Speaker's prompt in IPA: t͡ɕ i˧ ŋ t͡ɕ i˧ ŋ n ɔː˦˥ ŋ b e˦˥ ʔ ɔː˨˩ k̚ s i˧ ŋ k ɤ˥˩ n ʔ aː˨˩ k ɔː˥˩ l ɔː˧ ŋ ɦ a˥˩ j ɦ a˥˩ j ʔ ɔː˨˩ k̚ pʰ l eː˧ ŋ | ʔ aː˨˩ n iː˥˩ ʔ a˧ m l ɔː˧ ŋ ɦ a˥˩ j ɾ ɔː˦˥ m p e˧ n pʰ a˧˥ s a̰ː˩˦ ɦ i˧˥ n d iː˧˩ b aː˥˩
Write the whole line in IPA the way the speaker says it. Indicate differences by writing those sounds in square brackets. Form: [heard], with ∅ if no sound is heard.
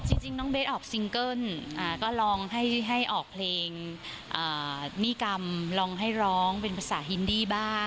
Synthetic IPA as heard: t͡ɕ i˧ ŋ t͡ɕ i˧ ŋ n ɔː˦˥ ŋ b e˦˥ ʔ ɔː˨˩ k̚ s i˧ ŋ k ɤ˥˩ n ʔ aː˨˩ k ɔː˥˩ l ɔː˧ ŋ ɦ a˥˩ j ɦ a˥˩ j ʔ ɔː˨˩ k̚ pʰ l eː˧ ŋ | ʔ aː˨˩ n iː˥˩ [k] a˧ m l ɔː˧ ŋ ɦ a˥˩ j ɾ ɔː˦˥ [ŋ] p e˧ n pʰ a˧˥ s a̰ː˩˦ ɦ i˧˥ n d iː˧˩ b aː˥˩